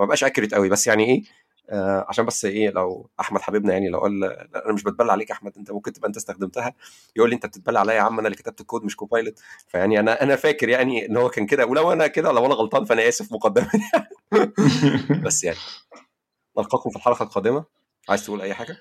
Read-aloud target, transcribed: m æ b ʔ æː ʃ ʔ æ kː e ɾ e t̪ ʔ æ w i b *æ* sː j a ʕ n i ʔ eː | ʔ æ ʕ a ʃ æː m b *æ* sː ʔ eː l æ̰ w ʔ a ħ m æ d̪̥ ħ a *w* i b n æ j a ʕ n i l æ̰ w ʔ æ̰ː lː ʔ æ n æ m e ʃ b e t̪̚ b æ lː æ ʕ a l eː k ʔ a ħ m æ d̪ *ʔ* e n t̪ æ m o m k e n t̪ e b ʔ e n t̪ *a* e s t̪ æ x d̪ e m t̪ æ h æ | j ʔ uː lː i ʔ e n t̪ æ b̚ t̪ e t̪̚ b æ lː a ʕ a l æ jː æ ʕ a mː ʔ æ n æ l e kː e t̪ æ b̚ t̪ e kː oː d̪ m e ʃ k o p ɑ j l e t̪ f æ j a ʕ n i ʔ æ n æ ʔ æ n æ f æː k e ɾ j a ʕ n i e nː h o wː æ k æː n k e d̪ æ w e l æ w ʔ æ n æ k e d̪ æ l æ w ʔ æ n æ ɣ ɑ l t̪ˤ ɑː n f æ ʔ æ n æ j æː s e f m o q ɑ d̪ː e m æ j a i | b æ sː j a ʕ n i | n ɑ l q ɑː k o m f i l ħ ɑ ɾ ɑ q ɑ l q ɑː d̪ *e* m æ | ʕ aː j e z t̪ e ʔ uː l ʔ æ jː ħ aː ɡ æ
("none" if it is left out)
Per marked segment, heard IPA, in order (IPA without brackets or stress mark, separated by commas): æ, æ, b, ʔ, æ, e